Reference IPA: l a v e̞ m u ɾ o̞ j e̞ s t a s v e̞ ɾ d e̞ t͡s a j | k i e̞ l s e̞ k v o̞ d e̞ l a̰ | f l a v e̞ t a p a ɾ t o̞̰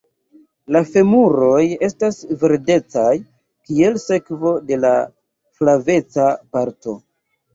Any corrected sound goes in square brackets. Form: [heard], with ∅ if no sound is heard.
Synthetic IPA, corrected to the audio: l a [f] e̞ m u ɾ o̞ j e̞ s t a s v e̞ ɾ d e̞ t͡s a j | k i e̞ l s e̞ k v o̞ d e̞ l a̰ | f l a v e̞ [t͡s] a p a ɾ t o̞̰